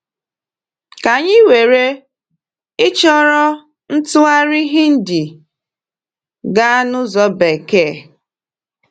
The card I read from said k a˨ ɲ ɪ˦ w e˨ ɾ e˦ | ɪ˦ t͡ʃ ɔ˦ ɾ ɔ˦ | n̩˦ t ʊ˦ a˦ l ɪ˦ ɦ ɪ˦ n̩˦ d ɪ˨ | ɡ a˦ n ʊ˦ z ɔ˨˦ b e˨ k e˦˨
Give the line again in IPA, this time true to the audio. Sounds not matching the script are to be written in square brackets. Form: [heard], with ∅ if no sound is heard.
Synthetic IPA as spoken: k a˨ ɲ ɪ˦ w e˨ ɾ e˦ | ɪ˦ t͡ʃ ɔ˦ ɾ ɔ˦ | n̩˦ t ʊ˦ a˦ [ɾ] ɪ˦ ɦ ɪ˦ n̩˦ d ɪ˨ | ɡ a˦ n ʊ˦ z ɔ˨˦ b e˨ k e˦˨